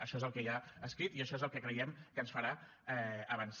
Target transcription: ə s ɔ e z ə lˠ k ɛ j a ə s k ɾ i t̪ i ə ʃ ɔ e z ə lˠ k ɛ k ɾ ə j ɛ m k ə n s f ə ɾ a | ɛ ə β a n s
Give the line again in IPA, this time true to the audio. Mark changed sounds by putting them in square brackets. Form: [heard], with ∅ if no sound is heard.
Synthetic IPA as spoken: ə [ʃ] ɔ e z ə lˠ k ɛ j a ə s k ɾ i t̪ i ə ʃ ɔ e z ə lˠ k ɛ k ɾ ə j ɛ m k ə n s f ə ɾ a | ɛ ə β [ə] n s